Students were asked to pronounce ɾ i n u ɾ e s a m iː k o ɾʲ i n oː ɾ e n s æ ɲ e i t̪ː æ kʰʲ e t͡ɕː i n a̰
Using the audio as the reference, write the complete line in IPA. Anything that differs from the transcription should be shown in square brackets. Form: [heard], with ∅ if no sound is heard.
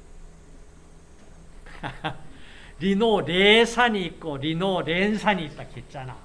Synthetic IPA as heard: ɾ i n [o] ɾ e s a [ɲ] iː k o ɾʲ i n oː ɾ e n s [a] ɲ [i] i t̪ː [a] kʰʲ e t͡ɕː [a] n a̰